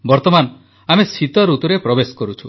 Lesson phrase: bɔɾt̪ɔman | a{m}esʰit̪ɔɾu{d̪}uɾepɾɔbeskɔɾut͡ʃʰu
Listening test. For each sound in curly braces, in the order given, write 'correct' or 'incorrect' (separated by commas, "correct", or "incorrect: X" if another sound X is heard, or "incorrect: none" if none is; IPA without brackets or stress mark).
correct, incorrect: t̪